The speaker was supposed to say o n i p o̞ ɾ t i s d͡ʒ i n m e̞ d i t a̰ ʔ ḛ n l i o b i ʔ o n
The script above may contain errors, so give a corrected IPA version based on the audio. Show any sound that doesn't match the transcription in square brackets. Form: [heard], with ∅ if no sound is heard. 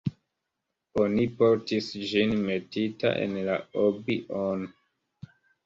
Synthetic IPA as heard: o n i p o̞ ɾ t i s d͡ʒ i n m e̞ [t] i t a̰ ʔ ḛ n l [a] o b i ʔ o n